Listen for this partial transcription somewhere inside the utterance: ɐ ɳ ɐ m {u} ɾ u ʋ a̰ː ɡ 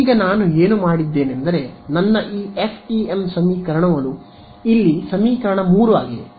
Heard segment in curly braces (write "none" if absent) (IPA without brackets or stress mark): uː